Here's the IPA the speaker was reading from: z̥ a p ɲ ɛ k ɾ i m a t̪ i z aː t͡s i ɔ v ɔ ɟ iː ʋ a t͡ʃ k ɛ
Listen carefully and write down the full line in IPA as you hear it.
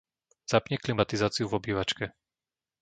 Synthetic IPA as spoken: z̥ a p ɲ ɛ k l i m a t̪ i z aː t͡s i u v ɔ b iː ʋ a t͡ʃ k ɛ